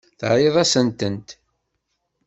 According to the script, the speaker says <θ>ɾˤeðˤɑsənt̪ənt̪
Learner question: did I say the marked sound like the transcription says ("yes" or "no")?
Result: yes